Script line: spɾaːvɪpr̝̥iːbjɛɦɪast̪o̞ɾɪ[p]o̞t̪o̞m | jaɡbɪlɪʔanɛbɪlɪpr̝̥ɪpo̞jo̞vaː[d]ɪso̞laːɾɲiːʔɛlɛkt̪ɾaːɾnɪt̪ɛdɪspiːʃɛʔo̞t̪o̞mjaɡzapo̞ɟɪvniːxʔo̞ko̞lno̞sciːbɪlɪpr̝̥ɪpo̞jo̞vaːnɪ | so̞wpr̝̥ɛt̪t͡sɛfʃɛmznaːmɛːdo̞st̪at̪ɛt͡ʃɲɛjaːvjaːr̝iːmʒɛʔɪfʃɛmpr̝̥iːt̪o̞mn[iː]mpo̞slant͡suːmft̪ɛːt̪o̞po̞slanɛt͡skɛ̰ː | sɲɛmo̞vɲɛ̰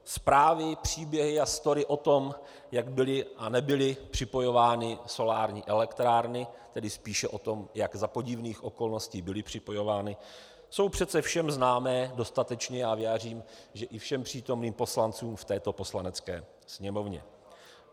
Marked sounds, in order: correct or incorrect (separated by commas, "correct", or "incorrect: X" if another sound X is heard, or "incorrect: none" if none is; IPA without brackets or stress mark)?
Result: incorrect: ʔ, incorrect: n, correct